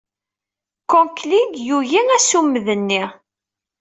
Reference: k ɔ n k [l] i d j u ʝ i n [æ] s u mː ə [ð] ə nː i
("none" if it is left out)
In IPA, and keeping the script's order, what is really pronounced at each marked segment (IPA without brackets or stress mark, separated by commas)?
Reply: l, æ, ð